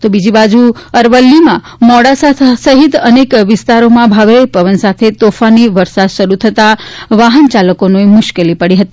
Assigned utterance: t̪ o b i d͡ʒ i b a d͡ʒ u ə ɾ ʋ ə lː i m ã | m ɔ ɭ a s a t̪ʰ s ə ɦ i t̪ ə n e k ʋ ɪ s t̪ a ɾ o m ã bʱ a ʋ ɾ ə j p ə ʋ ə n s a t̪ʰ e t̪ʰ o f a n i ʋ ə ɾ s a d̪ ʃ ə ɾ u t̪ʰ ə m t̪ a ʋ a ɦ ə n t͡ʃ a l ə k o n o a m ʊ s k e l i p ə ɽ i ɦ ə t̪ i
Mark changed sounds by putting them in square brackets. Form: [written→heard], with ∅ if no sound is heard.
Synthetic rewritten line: t̪ o b i d͡ʒ i b a d͡ʒ u ə ɾ ʋ ə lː i m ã | m ɔ [ɭ→ɽ] a s a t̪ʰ s ə ɦ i t̪ ə n e k ʋ ɪ s t̪ a ɾ o m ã bʱ a ʋ ɾ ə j p ə ʋ ə n s a t̪ʰ e [t̪ʰ→t̪] o f a n i ʋ ə ɾ s a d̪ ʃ ə ɾ u t̪ʰ ə [m→∅] t̪ a ʋ a ɦ ə n t͡ʃ a l ə k o n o [a→e] m ʊ [s→ʃ] k e l i p ə ɽ i ɦ ə t̪ i